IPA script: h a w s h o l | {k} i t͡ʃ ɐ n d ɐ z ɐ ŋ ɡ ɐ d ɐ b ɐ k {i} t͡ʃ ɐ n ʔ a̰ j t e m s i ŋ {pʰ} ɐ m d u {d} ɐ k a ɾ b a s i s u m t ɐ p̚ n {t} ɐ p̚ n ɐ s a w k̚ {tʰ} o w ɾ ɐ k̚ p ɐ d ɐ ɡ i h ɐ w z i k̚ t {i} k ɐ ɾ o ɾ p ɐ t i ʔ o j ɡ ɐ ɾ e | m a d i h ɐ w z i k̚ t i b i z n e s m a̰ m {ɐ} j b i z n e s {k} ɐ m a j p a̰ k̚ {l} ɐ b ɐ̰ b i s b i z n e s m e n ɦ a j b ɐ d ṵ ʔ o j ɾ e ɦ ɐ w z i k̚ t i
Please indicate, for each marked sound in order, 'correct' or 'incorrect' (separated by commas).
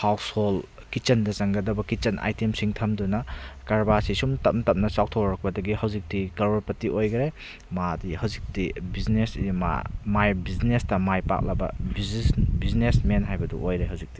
correct, correct, incorrect, incorrect, correct, correct, correct, incorrect, incorrect, correct